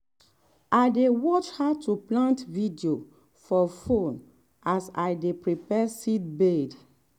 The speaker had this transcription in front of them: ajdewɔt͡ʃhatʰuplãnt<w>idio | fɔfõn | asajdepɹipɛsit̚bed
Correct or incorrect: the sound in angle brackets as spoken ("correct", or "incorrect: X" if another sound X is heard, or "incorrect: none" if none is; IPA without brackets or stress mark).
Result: incorrect: v